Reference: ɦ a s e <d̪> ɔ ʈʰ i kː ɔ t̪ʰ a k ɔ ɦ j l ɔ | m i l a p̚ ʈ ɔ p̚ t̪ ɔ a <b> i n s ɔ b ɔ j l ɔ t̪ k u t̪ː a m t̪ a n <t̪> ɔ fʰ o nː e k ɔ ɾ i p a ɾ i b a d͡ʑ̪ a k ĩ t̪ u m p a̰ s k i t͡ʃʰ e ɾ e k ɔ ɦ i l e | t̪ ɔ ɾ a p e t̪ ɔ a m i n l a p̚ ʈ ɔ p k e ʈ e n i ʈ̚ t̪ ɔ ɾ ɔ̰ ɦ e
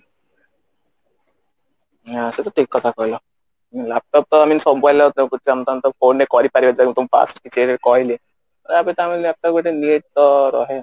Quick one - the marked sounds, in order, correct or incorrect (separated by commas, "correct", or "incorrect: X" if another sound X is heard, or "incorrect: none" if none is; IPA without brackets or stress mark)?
incorrect: t̪, incorrect: m, correct